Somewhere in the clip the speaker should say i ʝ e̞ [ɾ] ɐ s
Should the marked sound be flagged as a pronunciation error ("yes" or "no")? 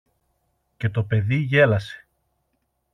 yes